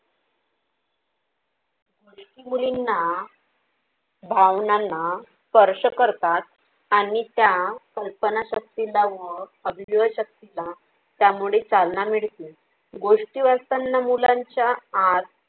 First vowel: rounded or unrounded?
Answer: rounded